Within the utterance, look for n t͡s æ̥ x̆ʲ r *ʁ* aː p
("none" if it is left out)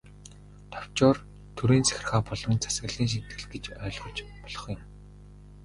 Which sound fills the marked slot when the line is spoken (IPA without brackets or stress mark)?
χ